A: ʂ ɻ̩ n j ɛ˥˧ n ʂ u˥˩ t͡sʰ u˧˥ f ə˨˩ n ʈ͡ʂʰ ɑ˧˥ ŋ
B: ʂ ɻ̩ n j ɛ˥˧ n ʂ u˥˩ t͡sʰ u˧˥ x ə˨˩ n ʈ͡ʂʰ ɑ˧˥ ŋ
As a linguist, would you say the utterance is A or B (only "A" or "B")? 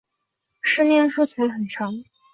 B